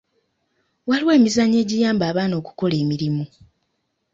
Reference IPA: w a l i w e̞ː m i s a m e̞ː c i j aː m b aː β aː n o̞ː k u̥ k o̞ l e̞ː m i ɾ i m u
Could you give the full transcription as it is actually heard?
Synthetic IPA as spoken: w a l i w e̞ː m i z a ɲ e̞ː ɟ i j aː m b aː β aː n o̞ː k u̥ k o̞ l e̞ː m i ɾ i m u

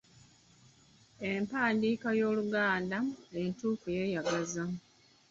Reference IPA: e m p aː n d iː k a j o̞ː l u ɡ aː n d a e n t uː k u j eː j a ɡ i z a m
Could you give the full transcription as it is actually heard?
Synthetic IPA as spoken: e m p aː n d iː k a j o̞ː l u ɡ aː n d a e n t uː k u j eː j a ɡ a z a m

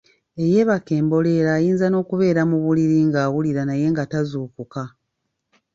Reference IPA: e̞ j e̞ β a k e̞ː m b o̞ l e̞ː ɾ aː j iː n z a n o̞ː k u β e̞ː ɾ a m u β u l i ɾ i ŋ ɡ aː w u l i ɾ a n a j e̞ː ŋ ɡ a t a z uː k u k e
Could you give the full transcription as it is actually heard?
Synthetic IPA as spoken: e̞ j e̞ β a k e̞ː m b o̞ l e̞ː ɾ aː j iː n z a n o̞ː k u β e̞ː ɾ a m u β u l i ɾ i ŋ ɡ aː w u l i ɾ a n a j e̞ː ŋ ɡ a t a z uː k u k a

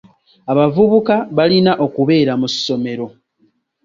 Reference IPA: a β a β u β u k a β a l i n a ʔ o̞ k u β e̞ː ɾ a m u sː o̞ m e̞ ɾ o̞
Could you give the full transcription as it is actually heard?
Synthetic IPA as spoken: a β a v u β u k a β a l i n a ʔ o̞ k u β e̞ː ɾ a m u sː o̞ m e̞ ɾ o̞

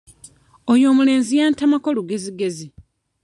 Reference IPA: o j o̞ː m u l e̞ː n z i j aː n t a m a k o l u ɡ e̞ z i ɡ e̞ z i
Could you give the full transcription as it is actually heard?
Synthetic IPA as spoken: o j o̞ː m u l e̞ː n z i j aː n t a m a k o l u ɡ e̞ z i ɡ e̞ z i

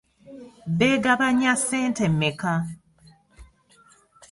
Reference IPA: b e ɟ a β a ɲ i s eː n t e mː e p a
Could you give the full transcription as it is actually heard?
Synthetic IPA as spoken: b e ɡ a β a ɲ a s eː n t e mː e k a

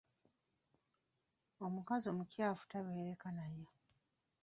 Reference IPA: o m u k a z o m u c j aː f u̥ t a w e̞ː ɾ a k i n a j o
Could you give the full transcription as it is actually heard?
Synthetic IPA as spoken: o m u k a z o m u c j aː f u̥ t a β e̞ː ɾ e k a n a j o

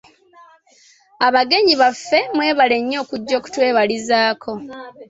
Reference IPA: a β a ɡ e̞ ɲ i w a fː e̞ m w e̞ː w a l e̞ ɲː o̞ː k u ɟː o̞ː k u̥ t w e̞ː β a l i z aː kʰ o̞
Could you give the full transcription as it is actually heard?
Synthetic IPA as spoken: a β a ɡ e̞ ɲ i β a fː e̞ m w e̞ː β a l e̞ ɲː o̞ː k u ɟː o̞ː k u̥ t w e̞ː β a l i z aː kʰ o̞

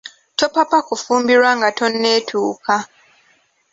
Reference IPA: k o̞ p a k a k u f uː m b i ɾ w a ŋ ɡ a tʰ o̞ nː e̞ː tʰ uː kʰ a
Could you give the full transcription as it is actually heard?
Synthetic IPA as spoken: t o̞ p a p a k u f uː m b i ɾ w a ŋ ɡ a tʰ o̞ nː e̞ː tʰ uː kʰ a

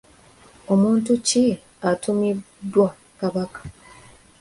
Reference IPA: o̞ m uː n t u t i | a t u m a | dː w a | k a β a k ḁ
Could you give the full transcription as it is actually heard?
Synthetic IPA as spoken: o̞ m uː n t u c i | a t u m i | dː w a | k a β a k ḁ

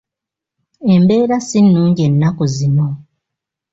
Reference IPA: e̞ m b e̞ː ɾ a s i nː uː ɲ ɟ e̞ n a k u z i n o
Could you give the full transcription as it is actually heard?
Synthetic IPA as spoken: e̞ m b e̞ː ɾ a s i nː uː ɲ ɟ e̞ nː a k u z i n o

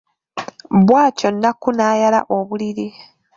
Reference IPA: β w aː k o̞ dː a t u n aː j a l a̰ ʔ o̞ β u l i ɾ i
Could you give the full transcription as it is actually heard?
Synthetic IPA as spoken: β w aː c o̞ nː a k u n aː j a l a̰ ʔ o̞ β u l i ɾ i

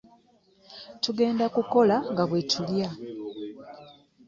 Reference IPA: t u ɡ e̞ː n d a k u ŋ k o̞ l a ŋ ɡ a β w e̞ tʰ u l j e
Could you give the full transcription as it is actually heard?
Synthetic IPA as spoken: t u ɡ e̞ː n d a k u k o̞ l a ŋ ɡ a β w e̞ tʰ u l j a

